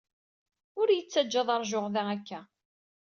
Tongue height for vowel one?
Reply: high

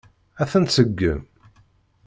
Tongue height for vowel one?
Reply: low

